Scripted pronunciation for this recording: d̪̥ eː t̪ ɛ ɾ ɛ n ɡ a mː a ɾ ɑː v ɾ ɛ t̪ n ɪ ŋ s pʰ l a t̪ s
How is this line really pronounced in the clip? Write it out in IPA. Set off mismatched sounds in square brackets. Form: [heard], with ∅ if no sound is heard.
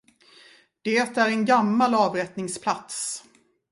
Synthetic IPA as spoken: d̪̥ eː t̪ [æ] ɾ ɛ n ɡ a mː a [l] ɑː v ɾ ɛ t̪ n ɪ ŋ s pʰ l a t̪ s